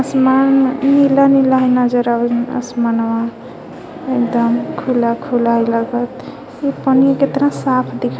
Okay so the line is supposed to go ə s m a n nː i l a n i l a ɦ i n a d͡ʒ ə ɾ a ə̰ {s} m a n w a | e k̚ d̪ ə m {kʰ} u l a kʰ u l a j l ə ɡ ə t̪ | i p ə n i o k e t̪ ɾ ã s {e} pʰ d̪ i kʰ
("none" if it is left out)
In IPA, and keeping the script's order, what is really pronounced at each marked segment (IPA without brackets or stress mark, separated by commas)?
s, kʰ, a